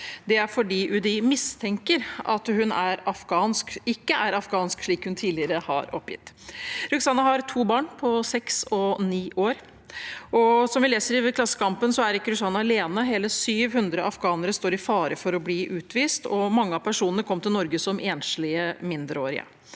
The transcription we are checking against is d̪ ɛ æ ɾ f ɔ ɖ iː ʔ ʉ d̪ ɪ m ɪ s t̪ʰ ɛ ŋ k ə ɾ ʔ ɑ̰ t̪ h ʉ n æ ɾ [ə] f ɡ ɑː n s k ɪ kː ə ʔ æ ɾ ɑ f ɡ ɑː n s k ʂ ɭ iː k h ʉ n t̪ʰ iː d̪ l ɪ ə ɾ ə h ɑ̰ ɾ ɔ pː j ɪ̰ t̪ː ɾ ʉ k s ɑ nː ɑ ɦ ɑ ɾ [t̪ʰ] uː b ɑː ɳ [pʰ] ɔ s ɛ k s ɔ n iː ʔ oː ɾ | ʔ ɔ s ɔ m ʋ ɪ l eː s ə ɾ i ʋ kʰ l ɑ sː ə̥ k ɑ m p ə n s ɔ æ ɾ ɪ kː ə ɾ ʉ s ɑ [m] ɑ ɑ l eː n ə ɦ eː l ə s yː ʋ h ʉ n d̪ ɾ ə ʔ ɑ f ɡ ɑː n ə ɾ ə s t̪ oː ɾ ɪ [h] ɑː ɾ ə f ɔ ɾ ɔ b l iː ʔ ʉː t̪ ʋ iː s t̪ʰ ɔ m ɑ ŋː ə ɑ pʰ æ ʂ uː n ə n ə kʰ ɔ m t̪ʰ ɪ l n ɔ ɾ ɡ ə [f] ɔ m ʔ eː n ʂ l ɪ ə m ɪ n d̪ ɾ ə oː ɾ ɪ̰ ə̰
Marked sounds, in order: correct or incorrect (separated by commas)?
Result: incorrect, correct, correct, incorrect, incorrect, incorrect